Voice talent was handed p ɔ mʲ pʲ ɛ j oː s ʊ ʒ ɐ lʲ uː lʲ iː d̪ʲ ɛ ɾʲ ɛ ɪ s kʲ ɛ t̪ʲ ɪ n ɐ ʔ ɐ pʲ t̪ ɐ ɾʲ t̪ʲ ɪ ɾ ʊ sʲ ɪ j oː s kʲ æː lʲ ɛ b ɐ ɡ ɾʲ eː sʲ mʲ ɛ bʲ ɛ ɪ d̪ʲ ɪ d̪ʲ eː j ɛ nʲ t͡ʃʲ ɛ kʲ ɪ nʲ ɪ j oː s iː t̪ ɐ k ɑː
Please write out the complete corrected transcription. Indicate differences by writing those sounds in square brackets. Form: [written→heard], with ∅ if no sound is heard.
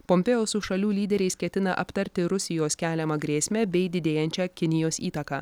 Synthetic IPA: p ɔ mʲ pʲ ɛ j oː s ʊ [ʒ→ʃ] ɐ lʲ uː lʲ iː d̪ʲ ɛ ɾʲ ɛ ɪ s kʲ ɛ t̪ʲ ɪ n ɐ ʔ ɐ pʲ t̪ ɐ ɾʲ t̪ʲ ɪ ɾ ʊ sʲ ɪ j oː s kʲ æː lʲ ɛ [b→m] ɐ ɡ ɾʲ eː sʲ mʲ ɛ bʲ ɛ ɪ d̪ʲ ɪ d̪ʲ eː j ɛ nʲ t͡ʃʲ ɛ kʲ ɪ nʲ ɪ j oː s iː t̪ ɐ k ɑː